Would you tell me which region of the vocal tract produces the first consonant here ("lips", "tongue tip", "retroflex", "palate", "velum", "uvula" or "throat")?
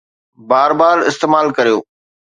lips